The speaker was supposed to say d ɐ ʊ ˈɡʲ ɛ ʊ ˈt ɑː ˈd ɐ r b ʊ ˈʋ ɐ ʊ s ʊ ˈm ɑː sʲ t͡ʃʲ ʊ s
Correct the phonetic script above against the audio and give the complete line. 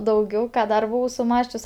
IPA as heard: d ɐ ʊ ˈɡʲ ɛ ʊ ˈk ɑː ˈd ɐ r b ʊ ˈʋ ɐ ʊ s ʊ ˈm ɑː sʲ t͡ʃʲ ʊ s